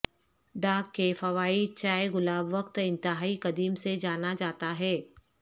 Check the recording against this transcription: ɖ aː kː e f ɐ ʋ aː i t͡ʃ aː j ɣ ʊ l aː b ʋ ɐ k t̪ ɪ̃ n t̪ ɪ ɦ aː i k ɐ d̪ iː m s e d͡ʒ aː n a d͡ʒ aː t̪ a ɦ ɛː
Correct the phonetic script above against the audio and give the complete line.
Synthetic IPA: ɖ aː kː e f ɐ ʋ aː i t͡ʃ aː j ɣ ʊ l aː b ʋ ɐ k t̪ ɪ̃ n t̪ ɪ ɦ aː i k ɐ d̪ iː m s e d͡ʒ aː n a d͡ʒ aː t̪ a ɦ ɛː

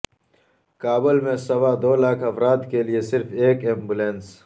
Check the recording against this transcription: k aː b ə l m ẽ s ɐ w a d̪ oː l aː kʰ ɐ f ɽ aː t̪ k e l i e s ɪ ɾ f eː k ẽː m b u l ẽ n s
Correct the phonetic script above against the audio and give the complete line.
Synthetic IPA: k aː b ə l m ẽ s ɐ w a d̪ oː l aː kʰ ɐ f ɾ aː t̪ k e l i e s ɪ ɾ f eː k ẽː m b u l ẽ n s

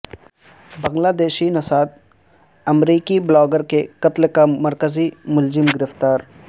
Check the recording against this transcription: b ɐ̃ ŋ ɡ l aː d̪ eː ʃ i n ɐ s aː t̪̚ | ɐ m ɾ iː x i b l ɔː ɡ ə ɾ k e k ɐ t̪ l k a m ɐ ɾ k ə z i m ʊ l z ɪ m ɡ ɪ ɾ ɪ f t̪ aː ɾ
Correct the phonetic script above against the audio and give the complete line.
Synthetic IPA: b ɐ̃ ŋ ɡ l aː d̪ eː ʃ i n ɐ s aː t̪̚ | ɐ m ɾ iː k i b l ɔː ɡ ə ɾ k e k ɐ t̪ l k a m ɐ ɾ k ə z i m ʊ l z ɪ m ɡ ɪ ɾ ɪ f t̪ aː ɾ

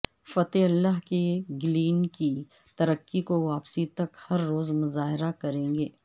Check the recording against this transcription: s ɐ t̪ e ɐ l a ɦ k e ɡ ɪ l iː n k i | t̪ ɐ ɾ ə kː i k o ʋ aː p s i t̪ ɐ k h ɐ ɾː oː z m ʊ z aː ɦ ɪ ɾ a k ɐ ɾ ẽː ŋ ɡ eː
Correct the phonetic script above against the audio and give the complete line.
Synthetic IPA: f ɐ t̪ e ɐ lː a ɦ k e ɡ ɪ l iː n k i | t̪ ɐ ɾ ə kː i k o ʋ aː p s i t̪ ɐ k h ɐ ɾː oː z m ʊ z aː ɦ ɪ ɾ a k ɐ ɾ ẽː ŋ ɡ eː

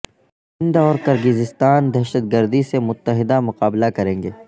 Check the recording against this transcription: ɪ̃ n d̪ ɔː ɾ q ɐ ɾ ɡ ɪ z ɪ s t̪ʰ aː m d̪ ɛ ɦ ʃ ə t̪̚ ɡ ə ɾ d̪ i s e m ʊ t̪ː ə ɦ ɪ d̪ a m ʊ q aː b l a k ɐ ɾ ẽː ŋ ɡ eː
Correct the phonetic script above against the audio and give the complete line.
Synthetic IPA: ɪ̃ n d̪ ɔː ɾ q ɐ ɾ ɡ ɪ z ɪ s t̪ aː n d̪ ɛ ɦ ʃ ə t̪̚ ɡ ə ɾ d̪ i s e m ʊ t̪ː ə ɦ ɪ d̪ a m ʊ q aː b l a k ɐ ɾ ẽː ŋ ɡ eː

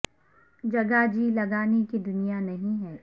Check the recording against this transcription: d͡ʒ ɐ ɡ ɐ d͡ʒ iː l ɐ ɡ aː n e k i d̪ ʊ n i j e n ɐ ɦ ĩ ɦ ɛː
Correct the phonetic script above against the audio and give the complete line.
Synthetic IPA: d͡ʒ ɐ ɡ a d͡ʒ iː l ɐ ɡ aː n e k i d̪ ʊ n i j a n ɐ ɦ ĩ ɦ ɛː

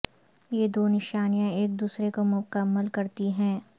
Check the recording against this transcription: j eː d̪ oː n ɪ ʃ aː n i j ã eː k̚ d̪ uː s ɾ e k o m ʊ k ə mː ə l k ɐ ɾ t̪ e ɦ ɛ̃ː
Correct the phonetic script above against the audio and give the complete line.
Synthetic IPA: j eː d̪ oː n ɪ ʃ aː n i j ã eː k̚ d̪ uː s ɾ e k o m ʊ k ə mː ə l k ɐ ɾ t̪ i ɦ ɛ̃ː

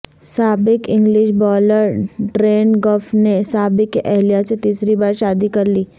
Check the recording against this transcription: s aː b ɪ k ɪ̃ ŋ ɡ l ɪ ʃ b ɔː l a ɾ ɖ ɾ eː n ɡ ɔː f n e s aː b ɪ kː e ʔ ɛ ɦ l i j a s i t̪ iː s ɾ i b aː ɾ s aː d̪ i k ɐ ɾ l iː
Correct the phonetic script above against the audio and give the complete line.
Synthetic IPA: s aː b ɪ k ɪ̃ ŋ ɡ l ɪ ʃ b ɔː l ə ɾ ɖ ɾ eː n ɡ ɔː f n e s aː b ɪ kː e ʔ ɛ ɦ l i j a s e t̪ iː s ɾ i b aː ɾ ʃ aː d̪ i k ɐ ɾ l iː

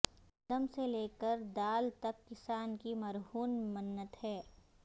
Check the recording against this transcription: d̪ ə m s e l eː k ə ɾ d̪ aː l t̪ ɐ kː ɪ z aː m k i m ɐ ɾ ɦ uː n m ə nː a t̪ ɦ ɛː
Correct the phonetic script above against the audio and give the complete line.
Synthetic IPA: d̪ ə m s e l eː k ə ɾ d̪ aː l t̪ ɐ kː ɪ s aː n k i m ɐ ɾ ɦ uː n m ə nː ə t̪ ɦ ɛː

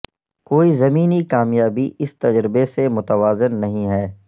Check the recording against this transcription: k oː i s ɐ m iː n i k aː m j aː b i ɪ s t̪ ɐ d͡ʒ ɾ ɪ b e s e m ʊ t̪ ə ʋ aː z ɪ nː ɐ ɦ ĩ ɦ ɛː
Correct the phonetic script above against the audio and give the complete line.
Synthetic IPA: k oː i z ɐ m iː n i k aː m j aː b i ɪ s t̪ ɐ d͡ʒ ɾ ɪ b e s e m ʊ t̪ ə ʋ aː z ɪ nː ɐ ɦ ĩ ɦ ɛː

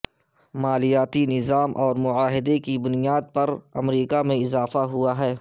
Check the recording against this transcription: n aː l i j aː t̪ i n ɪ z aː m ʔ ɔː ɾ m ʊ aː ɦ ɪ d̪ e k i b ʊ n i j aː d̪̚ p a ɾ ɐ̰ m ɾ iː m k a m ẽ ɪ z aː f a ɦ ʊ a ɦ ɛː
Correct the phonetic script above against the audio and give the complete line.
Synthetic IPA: m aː l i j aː t̪ i n ɪ z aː m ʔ ɔː ɾ m ʊ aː ɦ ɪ d̪ e k i b ʊ n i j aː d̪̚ p ɐ ɾ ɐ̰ m ɾ iː k a m ẽ ɪ z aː f a ɦ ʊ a ɦ ɛː

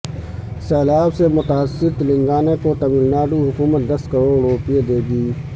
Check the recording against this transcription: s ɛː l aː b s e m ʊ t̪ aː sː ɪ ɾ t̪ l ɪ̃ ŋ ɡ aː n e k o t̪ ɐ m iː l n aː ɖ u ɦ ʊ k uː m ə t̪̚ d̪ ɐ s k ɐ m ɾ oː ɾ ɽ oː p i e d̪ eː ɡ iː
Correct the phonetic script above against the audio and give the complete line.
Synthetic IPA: s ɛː l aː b s e m ʊ t̪ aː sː ɪ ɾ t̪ l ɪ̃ ŋ ɡ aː n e k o t̪ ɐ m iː l n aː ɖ u ɦ ʊ k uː m ə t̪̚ d̪ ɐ s k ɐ ɾ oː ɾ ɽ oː p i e d̪ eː ɡ iː

